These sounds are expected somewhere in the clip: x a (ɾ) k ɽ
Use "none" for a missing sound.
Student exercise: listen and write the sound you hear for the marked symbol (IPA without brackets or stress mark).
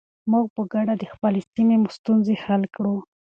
l